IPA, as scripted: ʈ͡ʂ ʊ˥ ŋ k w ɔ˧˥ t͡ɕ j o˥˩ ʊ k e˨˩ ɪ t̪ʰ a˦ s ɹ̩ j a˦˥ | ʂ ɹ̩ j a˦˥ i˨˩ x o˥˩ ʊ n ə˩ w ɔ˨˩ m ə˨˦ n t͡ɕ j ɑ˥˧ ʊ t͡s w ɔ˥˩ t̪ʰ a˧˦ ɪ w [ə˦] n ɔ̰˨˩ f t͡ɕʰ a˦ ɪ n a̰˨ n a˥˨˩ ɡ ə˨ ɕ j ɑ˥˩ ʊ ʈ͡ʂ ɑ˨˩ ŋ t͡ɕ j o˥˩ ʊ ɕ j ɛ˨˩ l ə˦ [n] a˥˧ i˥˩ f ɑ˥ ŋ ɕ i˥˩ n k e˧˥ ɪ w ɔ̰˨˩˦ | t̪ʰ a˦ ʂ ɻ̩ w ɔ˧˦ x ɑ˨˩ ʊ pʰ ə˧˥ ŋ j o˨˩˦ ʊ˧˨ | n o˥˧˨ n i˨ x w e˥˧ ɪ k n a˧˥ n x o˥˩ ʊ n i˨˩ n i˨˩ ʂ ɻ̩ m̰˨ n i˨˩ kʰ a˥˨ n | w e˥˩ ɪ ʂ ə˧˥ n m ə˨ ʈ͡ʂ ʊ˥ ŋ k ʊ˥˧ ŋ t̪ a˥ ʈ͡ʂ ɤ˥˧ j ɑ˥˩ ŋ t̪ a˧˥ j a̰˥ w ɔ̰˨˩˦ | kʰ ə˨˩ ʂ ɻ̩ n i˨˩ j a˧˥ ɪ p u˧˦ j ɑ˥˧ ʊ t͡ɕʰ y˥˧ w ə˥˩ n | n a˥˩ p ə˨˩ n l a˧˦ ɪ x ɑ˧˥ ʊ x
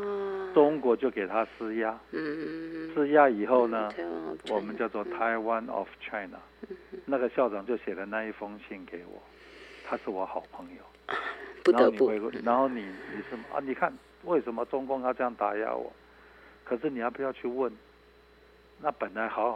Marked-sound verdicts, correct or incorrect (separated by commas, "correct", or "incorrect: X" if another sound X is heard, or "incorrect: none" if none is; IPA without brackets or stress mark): incorrect: a˦, correct